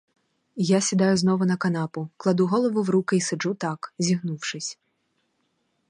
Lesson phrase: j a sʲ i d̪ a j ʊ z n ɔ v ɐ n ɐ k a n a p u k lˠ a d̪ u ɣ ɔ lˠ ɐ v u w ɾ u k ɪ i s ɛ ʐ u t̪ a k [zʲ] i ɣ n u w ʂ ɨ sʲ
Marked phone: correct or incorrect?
correct